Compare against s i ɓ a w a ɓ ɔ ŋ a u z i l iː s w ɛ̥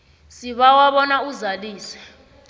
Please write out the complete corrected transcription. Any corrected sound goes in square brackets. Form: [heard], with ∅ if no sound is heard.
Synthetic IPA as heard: s i ɓ a w a ɓ ɔ [n] a u z [a] l iː s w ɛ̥